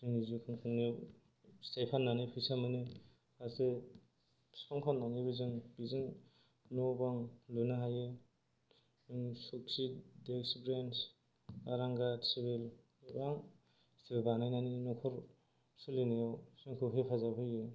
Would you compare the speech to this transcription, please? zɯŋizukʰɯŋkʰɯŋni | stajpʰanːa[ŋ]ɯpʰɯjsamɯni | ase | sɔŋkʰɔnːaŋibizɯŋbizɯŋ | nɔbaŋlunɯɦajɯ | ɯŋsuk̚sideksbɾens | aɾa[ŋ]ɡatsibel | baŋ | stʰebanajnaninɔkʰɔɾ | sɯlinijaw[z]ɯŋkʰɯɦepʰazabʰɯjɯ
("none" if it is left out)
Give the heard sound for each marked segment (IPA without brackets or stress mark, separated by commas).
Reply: n, ŋ, s